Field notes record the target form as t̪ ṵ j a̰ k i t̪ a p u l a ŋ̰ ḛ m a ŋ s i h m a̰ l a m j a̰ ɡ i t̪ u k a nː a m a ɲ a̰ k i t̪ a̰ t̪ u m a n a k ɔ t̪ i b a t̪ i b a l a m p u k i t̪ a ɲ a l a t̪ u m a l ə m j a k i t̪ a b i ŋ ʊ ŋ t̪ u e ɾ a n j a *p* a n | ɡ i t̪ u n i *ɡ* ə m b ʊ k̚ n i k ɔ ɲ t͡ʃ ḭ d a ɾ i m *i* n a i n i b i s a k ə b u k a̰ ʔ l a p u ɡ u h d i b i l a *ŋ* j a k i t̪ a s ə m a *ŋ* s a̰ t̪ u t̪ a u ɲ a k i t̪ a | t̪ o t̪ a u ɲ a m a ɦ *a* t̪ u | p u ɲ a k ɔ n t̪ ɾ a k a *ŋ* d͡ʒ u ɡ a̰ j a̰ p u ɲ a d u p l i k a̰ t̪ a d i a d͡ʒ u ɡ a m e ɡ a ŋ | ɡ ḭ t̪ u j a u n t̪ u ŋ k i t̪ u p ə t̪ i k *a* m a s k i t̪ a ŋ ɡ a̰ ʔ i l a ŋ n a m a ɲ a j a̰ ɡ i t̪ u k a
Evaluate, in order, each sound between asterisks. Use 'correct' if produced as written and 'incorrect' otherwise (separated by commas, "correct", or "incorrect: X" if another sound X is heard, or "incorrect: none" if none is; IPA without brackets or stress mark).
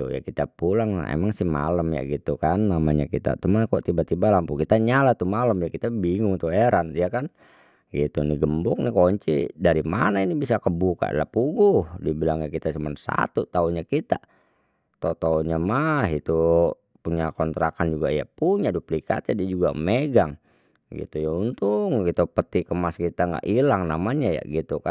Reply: incorrect: k, correct, incorrect: a, correct, incorrect: n, incorrect: i, incorrect: n, incorrect: ə